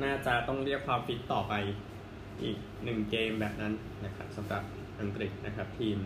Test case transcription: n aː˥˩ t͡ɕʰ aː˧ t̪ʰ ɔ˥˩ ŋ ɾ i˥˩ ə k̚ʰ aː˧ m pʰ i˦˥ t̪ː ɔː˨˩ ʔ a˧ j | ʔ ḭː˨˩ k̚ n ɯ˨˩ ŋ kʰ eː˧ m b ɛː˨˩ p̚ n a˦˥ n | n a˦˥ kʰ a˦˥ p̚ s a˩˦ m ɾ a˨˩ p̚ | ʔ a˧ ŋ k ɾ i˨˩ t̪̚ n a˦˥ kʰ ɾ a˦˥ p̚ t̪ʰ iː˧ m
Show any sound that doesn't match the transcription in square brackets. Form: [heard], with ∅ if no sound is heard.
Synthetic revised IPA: n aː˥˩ [t͡ɕ] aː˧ [t̪] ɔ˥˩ ŋ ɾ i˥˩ ə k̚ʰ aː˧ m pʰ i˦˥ t̪ː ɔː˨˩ [p] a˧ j | ʔ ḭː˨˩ k̚ n ɯ˨˩ ŋ [k] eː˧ m b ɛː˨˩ p̚ n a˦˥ n | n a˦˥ kʰ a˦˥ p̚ s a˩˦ m ɾ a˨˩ p̚ | ʔ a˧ ŋ k ɾ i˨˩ t̪̚ n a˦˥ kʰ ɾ a˦˥ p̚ t̪ʰ iː˧ m